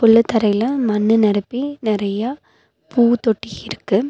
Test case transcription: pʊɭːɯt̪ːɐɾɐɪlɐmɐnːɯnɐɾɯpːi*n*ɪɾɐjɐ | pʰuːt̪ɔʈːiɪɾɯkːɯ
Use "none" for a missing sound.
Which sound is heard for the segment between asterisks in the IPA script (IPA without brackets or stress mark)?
n